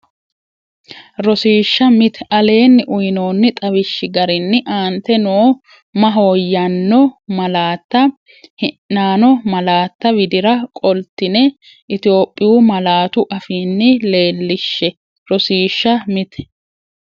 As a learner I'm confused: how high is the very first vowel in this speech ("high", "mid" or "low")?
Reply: mid